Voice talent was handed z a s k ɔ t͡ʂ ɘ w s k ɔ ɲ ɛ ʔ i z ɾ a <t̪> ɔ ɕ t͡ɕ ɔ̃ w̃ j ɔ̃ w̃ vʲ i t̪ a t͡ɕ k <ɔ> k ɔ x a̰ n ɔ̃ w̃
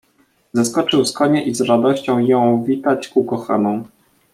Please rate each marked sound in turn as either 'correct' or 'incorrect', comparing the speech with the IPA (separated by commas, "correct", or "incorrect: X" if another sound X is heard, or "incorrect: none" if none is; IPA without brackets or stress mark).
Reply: incorrect: d̪, incorrect: u